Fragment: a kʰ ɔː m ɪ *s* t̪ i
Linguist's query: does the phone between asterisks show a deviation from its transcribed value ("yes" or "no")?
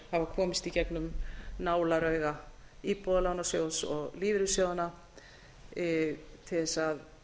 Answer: no